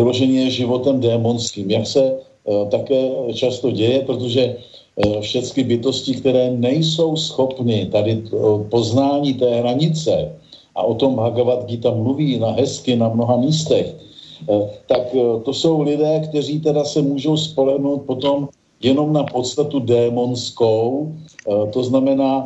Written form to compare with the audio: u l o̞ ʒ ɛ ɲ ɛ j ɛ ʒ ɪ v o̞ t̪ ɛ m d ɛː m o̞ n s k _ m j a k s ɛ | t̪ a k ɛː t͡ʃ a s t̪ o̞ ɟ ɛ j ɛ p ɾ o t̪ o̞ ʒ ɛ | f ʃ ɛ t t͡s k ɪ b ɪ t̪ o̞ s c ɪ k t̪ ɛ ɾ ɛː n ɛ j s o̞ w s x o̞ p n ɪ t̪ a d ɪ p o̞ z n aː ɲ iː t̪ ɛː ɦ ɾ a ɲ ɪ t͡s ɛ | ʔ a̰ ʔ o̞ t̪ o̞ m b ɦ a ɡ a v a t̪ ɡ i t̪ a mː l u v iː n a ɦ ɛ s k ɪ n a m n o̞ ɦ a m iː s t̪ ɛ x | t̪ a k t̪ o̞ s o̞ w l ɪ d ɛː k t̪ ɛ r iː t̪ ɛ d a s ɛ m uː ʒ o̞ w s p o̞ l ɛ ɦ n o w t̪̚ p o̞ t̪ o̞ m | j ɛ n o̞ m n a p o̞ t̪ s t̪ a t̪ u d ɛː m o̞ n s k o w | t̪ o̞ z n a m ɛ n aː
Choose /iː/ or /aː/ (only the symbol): iː